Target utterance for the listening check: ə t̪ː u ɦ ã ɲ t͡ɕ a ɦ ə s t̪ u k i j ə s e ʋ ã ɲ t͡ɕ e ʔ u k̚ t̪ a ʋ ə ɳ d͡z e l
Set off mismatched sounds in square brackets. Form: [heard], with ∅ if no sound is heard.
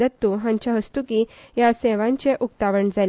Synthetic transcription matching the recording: ə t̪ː u ɦ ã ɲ t͡ɕ a ɦ ə s t̪ u k i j [a] s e ʋ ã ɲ t͡ɕ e ʔ u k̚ t̪ a ʋ ə ɳ d͡z [a] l